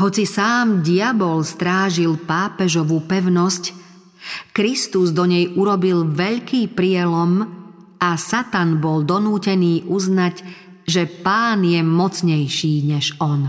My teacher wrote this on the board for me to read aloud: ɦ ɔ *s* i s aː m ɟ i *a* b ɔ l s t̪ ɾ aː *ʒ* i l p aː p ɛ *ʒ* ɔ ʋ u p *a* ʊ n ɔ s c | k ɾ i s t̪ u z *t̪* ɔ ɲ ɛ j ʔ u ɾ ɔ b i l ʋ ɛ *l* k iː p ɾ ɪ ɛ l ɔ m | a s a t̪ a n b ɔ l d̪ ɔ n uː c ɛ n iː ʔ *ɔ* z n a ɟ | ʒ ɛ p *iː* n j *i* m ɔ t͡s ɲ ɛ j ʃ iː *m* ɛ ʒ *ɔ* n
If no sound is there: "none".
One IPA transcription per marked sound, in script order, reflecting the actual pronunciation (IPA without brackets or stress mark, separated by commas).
t͡s, a, ʒ, ʒ, ɛ, d̪, ʎ, u, aː, ɛ, ɲ, ɔ